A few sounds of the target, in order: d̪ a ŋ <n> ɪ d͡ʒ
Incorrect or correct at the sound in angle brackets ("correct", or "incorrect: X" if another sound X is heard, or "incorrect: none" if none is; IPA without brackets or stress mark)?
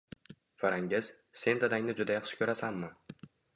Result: correct